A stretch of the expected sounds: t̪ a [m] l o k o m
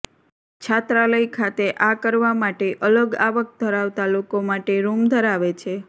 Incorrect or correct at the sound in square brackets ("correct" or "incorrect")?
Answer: incorrect